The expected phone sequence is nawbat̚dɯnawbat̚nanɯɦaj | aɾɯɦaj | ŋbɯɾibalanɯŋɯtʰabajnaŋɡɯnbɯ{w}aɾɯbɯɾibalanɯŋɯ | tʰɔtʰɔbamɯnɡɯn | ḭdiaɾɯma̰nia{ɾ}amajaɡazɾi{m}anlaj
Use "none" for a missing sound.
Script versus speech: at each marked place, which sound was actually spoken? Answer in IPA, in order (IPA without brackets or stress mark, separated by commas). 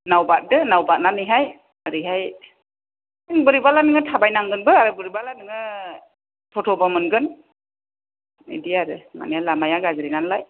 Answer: none, l, n